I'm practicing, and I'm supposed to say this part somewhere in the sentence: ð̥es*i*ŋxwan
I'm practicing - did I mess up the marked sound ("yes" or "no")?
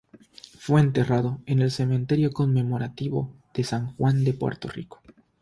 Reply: yes